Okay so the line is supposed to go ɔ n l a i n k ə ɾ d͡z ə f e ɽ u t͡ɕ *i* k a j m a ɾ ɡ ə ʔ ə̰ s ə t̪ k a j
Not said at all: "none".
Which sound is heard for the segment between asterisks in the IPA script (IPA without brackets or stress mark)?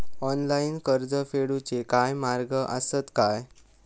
e